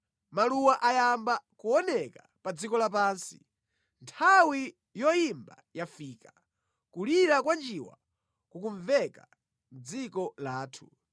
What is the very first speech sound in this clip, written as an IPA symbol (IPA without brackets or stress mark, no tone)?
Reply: m